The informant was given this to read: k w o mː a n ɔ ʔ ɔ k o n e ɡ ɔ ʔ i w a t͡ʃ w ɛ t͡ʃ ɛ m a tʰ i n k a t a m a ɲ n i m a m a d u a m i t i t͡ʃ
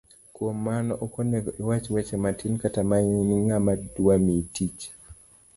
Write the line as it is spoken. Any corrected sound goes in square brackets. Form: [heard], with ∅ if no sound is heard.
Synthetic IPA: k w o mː a n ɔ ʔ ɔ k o n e ɡ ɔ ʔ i w a t͡ʃ w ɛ t͡ʃ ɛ m a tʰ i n k a t a m a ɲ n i [ŋ] a m a d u a m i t i t͡ʃ